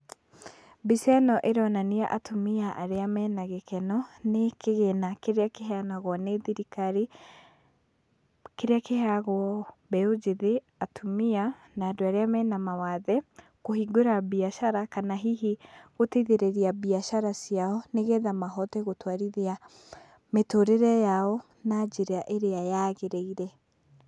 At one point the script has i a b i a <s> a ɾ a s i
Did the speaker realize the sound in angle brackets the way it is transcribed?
no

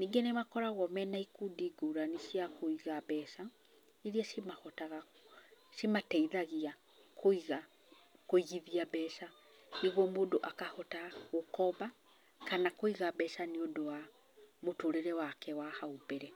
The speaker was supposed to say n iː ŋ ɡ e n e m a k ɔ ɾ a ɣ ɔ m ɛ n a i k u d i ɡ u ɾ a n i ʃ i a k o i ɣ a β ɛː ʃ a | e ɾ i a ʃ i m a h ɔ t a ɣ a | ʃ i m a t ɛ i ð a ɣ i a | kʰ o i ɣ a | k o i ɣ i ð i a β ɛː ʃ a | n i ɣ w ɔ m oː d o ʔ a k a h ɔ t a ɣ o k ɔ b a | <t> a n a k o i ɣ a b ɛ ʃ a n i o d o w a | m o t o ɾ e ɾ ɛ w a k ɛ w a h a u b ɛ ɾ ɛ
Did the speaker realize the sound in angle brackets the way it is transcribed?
no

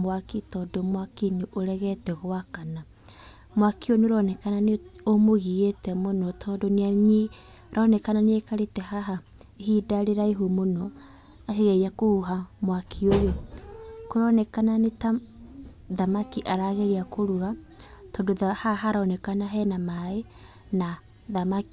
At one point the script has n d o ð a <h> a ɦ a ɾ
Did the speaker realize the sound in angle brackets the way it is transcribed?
yes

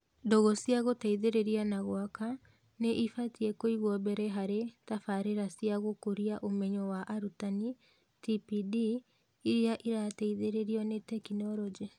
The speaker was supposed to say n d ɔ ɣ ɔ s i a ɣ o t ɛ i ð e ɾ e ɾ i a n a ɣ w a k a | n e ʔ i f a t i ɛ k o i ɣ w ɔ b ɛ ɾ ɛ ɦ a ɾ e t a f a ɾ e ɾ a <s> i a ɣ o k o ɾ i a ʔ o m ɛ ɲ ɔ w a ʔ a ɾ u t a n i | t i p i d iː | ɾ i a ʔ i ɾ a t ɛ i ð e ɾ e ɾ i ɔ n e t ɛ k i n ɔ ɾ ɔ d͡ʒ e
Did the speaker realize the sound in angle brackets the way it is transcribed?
yes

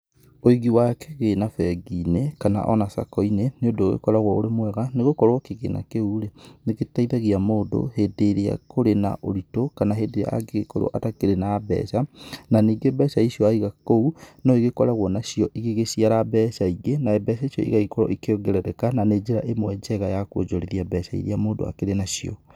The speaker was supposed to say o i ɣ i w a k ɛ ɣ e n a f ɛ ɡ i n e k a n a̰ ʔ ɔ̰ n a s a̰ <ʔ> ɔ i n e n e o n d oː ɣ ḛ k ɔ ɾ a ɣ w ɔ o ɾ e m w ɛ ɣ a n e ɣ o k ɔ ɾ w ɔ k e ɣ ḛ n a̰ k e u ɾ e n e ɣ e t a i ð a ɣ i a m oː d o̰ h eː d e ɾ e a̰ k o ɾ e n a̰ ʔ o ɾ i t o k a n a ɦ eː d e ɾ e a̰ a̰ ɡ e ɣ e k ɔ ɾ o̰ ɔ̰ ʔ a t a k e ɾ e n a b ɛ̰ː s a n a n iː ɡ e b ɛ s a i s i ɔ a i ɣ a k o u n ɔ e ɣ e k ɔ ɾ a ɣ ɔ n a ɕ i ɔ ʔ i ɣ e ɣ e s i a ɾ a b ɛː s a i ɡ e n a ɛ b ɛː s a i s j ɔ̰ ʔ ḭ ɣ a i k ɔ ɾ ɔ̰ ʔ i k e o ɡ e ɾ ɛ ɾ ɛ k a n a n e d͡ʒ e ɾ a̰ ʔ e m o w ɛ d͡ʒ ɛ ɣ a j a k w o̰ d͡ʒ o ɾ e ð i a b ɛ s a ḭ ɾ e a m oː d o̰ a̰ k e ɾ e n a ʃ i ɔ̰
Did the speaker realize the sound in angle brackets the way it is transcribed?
no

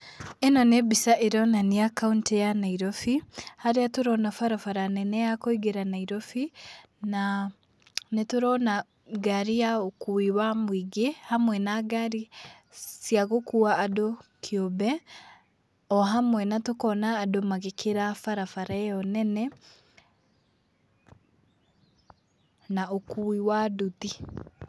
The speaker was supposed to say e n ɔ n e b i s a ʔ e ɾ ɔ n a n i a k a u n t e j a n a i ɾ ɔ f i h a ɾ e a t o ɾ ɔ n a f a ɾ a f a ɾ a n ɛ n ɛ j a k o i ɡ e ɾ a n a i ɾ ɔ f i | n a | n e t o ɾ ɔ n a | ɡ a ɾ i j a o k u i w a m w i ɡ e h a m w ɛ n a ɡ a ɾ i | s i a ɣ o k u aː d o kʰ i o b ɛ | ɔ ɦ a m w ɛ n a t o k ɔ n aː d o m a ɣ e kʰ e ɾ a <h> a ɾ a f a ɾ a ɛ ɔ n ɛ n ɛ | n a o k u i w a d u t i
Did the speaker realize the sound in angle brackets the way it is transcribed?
no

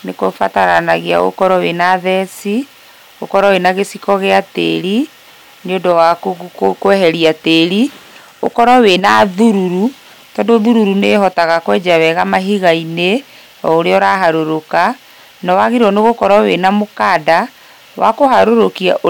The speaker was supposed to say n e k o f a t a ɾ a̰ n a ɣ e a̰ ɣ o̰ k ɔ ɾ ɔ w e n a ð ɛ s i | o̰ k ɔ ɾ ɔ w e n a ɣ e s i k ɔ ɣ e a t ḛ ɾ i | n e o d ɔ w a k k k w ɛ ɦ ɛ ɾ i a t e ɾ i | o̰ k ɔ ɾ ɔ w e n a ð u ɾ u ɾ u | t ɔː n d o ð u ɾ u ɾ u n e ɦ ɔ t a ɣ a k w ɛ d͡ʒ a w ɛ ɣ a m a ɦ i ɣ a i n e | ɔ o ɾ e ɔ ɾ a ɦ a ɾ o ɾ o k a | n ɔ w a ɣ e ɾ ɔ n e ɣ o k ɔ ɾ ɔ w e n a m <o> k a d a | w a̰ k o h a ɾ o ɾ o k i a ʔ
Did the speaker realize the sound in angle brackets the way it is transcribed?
yes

